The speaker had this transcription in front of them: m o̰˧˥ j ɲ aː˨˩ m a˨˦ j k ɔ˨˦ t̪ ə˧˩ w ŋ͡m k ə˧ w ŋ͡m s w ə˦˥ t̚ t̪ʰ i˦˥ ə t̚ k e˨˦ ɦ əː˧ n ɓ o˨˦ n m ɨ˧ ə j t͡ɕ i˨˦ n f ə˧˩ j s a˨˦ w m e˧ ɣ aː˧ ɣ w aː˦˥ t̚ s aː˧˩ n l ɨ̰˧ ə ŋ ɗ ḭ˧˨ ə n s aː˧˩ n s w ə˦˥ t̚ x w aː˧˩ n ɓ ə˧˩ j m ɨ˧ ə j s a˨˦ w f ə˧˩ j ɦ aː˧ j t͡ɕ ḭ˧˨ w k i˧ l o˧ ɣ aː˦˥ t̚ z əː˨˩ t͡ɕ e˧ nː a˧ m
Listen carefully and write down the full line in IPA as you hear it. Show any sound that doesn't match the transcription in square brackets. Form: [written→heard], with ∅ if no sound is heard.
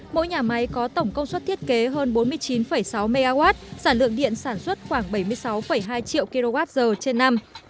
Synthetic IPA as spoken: m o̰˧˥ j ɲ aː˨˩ m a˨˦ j k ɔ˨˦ t̪ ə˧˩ w ŋ͡m k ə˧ w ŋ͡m s w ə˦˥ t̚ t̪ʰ i˦˥ ə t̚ k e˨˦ ɦ əː˧ n ɓ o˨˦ n m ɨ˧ ə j t͡ɕ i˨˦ n f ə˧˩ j s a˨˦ w m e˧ ɣ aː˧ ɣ w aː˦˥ t̚ s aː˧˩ n l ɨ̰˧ ə ŋ ɗ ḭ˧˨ ə n s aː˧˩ n s w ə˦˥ t̚ x w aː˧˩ [n→ŋ] ɓ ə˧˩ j m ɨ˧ ə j s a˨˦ w f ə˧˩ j ɦ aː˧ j t͡ɕ ḭ˧˨ w k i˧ l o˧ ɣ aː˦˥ t̚ z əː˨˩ t͡ɕ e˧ nː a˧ m